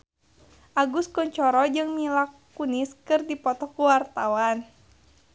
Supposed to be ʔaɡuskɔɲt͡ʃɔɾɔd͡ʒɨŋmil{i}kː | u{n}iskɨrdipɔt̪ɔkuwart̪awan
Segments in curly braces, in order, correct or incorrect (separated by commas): incorrect, correct